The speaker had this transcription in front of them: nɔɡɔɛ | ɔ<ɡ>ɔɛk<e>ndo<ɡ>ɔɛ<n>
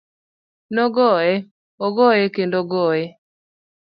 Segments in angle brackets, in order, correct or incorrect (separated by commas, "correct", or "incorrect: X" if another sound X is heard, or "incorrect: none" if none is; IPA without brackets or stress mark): correct, correct, correct, incorrect: none